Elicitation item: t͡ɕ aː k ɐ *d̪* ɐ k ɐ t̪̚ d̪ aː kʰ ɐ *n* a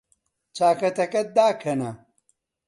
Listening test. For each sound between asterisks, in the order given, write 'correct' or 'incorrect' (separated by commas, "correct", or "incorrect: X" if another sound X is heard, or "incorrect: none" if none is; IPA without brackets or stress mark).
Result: incorrect: t̪, correct